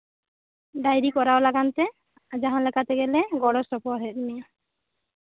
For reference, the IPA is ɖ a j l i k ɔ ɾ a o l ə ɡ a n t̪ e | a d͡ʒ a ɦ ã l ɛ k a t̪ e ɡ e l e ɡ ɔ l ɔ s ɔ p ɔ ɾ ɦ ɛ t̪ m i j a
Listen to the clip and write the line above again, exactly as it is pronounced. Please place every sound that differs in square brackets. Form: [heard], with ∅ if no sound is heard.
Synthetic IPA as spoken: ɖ a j [ɾ] i k ɔ ɾ a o l [a] ɡ a n t̪ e | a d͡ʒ a ɦ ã l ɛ k a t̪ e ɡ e l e ɡ ɔ [ɽ] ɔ s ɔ p ɔ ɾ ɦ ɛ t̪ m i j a